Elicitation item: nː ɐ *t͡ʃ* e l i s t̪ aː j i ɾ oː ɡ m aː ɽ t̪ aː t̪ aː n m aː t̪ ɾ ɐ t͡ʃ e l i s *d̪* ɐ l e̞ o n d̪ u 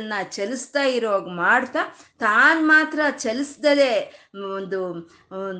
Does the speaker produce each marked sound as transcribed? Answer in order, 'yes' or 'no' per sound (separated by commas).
yes, yes